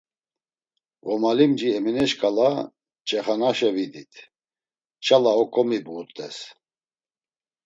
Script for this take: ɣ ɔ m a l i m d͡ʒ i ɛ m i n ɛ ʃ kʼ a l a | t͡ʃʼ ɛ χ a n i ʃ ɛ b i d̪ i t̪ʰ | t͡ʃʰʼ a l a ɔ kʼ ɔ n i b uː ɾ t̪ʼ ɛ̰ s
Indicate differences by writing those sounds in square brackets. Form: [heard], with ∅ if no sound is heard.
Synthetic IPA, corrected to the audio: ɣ ɔ m a l i m d͡ʒ i ɛ m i n ɛ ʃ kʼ a l a | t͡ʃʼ ɛ χ a n [a] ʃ ɛ [v] i d̪ i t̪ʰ | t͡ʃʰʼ a l a ɔ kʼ ɔ [m] i b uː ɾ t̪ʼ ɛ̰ s

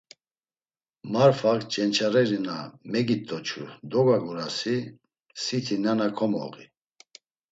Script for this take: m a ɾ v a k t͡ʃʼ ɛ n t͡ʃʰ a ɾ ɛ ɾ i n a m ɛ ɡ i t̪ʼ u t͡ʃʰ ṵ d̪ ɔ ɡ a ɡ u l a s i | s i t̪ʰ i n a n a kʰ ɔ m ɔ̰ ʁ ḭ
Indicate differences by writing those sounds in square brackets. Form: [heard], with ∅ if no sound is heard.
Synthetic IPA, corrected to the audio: m a ɾ [f] a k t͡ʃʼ ɛ n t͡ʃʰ a ɾ ɛ ɾ i n a m ɛ ɡ i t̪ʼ [ɔ] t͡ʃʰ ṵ d̪ ɔ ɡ a ɡ u [ɾ] a s i | s i t̪ʰ i n a n a kʰ ɔ m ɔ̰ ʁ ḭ

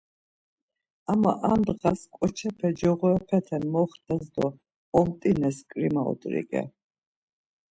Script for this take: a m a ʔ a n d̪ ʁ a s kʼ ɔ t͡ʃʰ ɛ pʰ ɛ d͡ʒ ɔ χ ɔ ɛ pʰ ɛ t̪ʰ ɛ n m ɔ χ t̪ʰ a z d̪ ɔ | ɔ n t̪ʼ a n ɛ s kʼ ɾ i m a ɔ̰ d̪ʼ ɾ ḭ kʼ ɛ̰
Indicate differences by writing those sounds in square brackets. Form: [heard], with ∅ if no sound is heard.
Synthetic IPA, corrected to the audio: a m a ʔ a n d̪ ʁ a s kʼ ɔ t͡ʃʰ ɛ pʰ ɛ d͡ʒ ɔ [ʁ] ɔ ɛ pʰ ɛ t̪ʰ ɛ n m ɔ χ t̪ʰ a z d̪ ɔ | ɔ [m] t̪ʼ [i] n ɛ s kʼ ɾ i m a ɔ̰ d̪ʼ ɾ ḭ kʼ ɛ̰

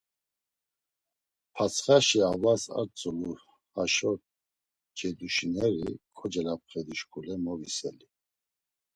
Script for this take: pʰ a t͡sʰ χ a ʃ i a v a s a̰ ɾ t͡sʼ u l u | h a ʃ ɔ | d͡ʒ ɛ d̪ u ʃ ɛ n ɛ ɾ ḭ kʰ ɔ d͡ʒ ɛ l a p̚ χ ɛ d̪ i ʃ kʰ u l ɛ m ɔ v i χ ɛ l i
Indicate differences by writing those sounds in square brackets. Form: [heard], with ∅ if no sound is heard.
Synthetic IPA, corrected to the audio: pʰ a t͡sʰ χ a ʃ i a v a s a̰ ɾ t͡sʼ u l u | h a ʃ ɔ | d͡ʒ ɛ d̪ u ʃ [i] n ɛ ɾ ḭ kʰ ɔ d͡ʒ ɛ l a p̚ χ ɛ d̪ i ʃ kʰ u l ɛ m ɔ v i [s] ɛ l i

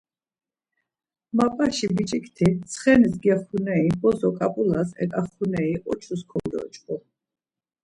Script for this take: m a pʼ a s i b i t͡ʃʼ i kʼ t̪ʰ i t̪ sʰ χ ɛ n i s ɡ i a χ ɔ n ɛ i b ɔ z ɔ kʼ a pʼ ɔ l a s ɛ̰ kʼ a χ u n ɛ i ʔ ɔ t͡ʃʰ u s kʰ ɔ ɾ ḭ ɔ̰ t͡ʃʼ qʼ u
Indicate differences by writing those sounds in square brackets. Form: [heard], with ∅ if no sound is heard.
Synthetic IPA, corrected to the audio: m a pʼ a [ʃ] i b i t͡ʃʼ i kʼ t̪ʰ i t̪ sʰ χ ɛ n i s ɡ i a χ [u] n ɛ i b ɔ z ɔ kʼ a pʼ [u] l a s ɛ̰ kʼ a χ u n ɛ i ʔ ɔ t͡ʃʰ u s kʰ ɔ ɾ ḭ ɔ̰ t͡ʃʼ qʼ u

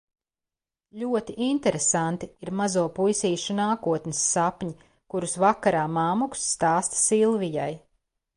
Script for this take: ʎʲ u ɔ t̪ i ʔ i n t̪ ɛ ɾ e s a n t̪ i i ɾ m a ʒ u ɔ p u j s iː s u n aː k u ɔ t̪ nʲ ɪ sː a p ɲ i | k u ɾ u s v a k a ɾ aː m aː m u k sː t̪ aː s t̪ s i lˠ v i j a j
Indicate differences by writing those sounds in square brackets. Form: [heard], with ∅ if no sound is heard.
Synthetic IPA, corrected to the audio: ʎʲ u ɔ t̪ i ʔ i n t̪ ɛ ɾ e s a n t̪ i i ɾ m a [z] u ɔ p u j s iː [ʃ] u n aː k u ɔ t̪ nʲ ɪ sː a p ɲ i | k u ɾ u s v a k a ɾ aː m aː m u k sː t̪ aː s t̪ s i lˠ v i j a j

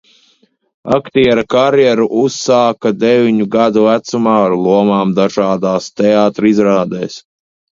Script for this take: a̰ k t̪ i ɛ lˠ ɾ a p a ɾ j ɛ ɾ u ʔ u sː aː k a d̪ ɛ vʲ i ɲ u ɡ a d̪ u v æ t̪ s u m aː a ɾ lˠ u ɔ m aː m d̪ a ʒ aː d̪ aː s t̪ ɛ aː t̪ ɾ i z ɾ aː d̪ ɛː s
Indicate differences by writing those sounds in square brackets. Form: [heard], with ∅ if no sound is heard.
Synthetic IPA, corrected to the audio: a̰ k t̪ i ɛ [∅] ɾ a [k] a ɾ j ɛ ɾ u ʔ u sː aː k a d̪ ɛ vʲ i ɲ u ɡ a d̪ u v æ t̪ s u m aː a ɾ lˠ u ɔ m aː m d̪ a ʒ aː d̪ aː s t̪ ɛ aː t̪ ɾ i z ɾ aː d̪ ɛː s

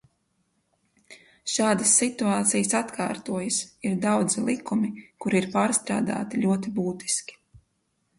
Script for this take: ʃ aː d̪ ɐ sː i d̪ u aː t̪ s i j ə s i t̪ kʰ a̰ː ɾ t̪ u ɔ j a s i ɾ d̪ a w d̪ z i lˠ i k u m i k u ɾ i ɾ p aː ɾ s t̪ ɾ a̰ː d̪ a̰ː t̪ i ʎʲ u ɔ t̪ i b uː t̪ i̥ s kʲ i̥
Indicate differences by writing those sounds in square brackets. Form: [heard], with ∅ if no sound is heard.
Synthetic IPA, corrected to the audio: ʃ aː d̪ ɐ sː i [t̪] u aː t̪ s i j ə s [a] t̪ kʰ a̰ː ɾ t̪ u ɔ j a s i ɾ d̪ a w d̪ z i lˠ i k u m i k u ɾ i ɾ p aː ɾ s t̪ ɾ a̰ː d̪ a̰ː t̪ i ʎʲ u ɔ t̪ i b uː t̪ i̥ s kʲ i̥

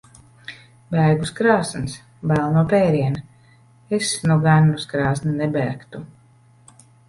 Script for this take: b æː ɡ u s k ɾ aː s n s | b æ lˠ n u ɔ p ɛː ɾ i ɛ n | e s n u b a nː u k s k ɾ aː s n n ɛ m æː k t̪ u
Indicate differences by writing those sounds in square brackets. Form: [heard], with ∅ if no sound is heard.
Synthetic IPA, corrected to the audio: b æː ɡ u s k ɾ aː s n s | b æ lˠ n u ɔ p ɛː ɾ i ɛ n | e s n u [ɡ] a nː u [∅] s k ɾ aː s n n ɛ [b] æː k t̪ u

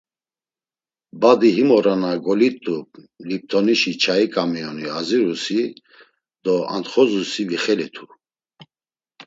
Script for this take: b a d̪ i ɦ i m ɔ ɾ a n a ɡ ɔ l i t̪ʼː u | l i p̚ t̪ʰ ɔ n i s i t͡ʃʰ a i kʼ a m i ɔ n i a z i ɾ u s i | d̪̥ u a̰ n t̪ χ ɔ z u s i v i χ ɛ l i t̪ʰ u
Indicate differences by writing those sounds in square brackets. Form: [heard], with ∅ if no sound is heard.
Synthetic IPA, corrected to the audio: b a d̪ i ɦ i m ɔ ɾ a n a ɡ ɔ l i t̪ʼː u | l i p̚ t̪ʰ ɔ n i [ʃ] i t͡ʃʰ a i kʼ a m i ɔ n i a z i ɾ u s i | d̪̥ [ɔ] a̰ n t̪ χ ɔ z u s i v i χ ɛ l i t̪ʰ u

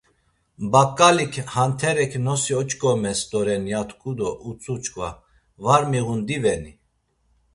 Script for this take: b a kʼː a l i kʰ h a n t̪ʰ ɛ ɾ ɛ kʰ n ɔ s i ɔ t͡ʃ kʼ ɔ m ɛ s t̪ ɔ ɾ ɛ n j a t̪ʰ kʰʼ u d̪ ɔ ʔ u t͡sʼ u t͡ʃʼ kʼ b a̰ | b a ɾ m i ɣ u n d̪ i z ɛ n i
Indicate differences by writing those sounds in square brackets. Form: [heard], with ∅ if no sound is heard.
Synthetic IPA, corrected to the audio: b a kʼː a l i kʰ h a n t̪ʰ ɛ ɾ ɛ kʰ n ɔ s i ɔ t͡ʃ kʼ ɔ m ɛ s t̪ ɔ ɾ ɛ n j a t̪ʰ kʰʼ u d̪ ɔ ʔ u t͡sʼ u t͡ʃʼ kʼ [v] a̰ | [v] a ɾ m i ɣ u n d̪ i [v] ɛ n i

